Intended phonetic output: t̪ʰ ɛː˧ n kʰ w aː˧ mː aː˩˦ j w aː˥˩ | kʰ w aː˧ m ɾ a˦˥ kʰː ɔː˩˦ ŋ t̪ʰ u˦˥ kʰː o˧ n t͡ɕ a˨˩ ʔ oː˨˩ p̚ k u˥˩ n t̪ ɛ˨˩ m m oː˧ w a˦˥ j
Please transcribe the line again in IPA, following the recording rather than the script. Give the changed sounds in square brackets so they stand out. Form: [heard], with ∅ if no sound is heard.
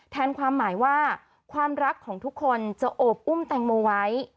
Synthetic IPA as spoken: t̪ʰ ɛː˧ n kʰ w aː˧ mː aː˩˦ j w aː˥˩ | kʰ w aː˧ m ɾ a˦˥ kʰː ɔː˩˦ ŋ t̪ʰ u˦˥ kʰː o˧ n t͡ɕ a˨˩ ʔ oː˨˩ p̚ [ʔ] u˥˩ [m] t̪ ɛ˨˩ [ŋ] m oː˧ w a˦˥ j